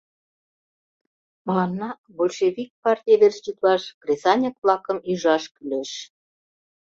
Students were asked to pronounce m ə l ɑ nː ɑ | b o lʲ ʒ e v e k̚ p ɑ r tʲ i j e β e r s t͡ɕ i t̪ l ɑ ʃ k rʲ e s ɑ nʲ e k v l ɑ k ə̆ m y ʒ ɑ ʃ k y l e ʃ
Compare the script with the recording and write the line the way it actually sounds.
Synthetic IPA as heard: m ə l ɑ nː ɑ | b o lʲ ʃ e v i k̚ p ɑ r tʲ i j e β e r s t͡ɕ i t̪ l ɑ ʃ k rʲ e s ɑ nʲ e k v l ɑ k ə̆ m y ʒ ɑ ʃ k y l e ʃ